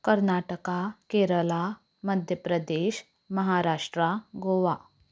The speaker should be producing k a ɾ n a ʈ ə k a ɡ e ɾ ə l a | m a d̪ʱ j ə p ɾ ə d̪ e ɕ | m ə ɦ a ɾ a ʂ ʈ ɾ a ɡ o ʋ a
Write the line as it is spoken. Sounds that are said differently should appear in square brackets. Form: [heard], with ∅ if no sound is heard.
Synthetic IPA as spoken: k [ə] ɾ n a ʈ ə k a [k] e ɾ ə l a | m [ə] d̪ʱ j ə p ɾ ə d̪ e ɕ | m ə ɦ a ɾ a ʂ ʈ ɾ a ɡ o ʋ a